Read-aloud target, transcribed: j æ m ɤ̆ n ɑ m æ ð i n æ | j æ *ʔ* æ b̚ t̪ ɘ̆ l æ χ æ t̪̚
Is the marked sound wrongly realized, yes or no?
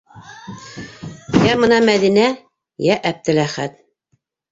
no